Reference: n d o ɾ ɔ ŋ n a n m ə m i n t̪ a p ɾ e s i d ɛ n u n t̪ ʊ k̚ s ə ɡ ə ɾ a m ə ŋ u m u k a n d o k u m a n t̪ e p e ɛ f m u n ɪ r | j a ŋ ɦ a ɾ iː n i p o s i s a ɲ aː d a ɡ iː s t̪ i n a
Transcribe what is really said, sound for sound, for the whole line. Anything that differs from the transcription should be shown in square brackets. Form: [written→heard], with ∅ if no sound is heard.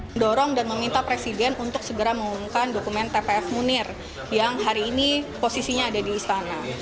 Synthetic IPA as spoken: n d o ɾ ɔ ŋ [n→d] a n m ə m i n t̪ a p ɾ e s i d ɛ n u n t̪ ʊ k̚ s ə ɡ ə ɾ a m ə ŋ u m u k a n d o k u m [a→ɛ] n t̪ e p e ɛ f m u n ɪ r | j a ŋ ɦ a ɾ iː n i p o s i s [a→i] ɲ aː d a [ɡ→d] iː s t̪ [i→a] n a